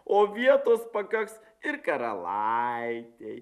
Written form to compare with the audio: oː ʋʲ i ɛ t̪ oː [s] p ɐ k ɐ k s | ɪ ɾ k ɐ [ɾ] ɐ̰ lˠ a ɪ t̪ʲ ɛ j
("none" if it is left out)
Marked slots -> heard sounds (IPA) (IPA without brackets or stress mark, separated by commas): s, ɾ